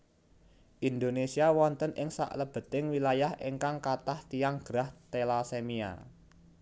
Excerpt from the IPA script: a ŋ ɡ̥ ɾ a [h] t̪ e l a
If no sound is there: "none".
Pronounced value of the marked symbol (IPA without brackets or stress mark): h